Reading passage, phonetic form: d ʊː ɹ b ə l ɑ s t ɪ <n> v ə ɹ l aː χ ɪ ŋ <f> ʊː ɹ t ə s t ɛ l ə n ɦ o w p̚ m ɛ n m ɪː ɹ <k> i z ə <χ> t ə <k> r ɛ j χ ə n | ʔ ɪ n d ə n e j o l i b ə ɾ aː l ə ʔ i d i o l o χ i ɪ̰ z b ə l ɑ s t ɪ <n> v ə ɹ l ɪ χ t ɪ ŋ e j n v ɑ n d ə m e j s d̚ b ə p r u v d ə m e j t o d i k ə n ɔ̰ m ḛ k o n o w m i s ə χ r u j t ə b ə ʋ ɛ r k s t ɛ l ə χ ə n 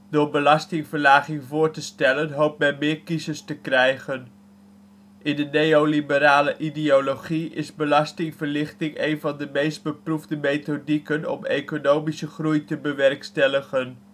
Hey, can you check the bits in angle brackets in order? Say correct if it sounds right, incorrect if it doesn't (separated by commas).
incorrect, incorrect, correct, incorrect, correct, incorrect